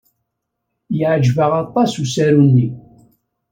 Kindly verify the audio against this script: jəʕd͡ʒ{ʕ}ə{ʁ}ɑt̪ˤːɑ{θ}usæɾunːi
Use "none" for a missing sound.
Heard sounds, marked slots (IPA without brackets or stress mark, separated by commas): v, ʁ, s